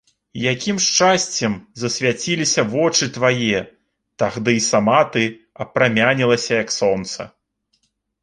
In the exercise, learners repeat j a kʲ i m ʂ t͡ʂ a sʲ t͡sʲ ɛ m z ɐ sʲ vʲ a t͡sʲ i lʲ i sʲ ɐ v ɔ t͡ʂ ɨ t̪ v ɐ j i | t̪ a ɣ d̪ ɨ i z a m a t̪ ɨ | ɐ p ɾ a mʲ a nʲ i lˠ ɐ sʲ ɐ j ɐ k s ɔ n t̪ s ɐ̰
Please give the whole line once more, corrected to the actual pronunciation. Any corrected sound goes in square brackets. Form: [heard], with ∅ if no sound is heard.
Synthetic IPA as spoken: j a kʲ i m ʂ t͡ʂ a sʲ t͡sʲ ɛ m z ɐ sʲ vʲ a t͡sʲ i lʲ i sʲ ɐ v ɔ t͡ʂ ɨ t̪ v [a] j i | t̪ a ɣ d̪ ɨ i [s] a m a t̪ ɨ | ɐ p ɾ a mʲ a nʲ i lˠ ɐ sʲ ɐ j ɐ k s ɔ n t̪ s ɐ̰